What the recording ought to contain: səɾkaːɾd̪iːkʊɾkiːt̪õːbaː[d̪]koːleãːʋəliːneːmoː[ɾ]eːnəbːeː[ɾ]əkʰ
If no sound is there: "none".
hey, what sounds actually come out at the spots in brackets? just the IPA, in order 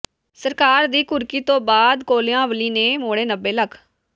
d̪, ɽ, l

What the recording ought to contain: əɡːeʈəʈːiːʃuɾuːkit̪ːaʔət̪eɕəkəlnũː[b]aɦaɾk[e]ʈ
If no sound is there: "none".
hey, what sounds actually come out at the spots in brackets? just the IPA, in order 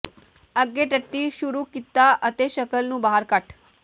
b, a

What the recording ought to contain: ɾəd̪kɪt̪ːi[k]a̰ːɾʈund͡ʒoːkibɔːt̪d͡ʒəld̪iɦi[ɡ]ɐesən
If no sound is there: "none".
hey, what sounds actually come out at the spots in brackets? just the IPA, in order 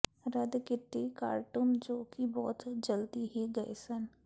k, ɡ

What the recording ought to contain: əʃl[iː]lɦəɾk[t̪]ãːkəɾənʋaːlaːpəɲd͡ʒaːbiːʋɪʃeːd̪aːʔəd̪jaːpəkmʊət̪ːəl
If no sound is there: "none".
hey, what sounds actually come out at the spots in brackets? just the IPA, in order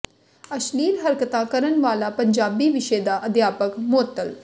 iː, t̪

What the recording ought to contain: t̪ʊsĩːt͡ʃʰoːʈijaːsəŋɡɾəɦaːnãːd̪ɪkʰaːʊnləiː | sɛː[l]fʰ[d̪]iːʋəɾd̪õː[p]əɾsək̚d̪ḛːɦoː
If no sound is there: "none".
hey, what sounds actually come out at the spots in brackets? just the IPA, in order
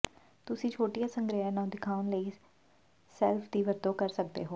l, d̪, k

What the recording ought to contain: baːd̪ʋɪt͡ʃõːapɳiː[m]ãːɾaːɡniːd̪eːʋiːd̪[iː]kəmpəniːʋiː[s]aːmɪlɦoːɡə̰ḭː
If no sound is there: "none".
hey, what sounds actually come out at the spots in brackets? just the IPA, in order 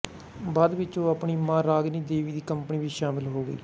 m, iː, ʃ

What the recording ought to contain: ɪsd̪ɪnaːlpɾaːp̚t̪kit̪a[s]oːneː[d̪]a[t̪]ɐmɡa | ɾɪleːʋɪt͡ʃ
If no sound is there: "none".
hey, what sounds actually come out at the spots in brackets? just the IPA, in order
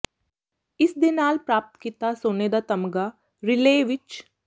s, d̪, t̪

